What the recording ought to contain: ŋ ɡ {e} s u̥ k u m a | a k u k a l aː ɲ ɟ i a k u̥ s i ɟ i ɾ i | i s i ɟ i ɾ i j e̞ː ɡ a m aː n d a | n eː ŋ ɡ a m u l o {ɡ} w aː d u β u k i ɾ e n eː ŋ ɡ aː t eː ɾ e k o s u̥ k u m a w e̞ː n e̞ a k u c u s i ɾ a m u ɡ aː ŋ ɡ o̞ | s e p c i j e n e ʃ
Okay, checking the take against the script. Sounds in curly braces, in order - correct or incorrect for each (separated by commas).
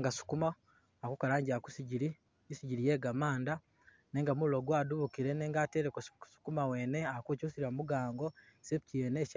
incorrect, correct